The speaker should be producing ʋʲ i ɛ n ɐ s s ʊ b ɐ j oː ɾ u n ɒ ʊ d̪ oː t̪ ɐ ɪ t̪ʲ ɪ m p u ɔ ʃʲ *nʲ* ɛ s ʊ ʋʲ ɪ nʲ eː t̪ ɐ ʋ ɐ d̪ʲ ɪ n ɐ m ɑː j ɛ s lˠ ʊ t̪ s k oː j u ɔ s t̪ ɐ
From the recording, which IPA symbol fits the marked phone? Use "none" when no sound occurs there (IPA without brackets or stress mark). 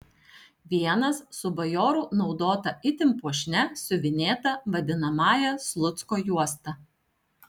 nʲ